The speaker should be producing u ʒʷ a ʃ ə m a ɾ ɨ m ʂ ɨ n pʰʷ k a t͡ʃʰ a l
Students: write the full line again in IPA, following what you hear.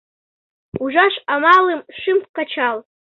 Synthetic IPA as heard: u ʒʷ a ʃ a m a l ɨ m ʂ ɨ m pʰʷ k a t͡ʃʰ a l